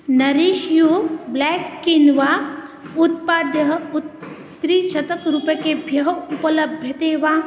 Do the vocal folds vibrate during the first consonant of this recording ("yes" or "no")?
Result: yes